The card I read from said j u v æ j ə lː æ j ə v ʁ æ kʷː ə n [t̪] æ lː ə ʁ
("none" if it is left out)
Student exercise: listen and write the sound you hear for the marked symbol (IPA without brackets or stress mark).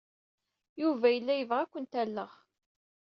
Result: t̪